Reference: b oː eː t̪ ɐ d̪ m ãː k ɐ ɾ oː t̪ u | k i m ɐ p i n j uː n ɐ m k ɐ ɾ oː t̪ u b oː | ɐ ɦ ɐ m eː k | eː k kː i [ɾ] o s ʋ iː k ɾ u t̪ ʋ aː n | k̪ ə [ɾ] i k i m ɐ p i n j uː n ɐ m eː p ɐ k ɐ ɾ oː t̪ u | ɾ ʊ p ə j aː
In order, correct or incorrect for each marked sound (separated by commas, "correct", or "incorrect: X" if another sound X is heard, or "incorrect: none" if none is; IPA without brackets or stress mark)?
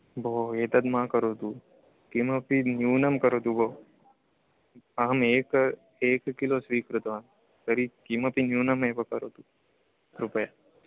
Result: incorrect: l, correct